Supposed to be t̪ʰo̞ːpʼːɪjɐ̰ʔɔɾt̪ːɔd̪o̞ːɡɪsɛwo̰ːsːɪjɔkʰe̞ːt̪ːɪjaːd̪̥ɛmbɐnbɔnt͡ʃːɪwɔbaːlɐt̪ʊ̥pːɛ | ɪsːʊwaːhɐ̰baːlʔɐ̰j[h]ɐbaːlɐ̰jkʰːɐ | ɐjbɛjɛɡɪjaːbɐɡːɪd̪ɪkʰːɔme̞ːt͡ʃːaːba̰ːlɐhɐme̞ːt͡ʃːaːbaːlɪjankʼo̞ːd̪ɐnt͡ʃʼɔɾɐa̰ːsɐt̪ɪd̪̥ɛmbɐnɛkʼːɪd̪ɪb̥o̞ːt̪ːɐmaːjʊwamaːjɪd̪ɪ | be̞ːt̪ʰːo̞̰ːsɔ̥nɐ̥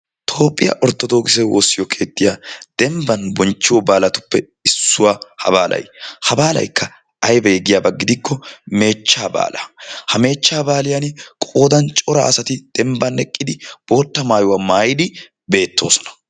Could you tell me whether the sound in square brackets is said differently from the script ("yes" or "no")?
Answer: no